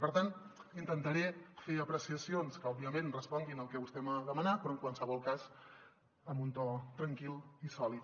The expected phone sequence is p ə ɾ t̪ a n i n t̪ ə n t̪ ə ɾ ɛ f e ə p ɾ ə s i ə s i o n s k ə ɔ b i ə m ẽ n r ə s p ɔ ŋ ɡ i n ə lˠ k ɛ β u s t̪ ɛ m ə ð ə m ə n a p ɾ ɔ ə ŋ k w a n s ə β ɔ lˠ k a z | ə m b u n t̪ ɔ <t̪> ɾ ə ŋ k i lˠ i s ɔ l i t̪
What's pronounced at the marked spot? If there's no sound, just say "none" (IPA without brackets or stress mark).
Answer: t̪